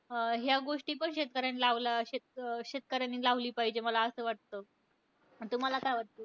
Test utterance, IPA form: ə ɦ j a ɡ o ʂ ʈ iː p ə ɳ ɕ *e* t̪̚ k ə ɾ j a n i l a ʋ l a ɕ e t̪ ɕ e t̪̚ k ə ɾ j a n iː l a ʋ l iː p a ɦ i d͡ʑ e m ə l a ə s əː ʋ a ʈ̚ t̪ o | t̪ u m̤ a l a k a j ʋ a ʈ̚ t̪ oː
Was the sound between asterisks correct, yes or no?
yes